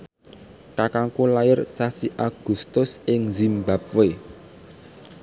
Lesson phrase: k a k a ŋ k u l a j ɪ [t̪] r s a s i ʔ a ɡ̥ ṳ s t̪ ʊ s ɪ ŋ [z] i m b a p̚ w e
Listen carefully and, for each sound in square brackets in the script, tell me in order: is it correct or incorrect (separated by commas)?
incorrect, correct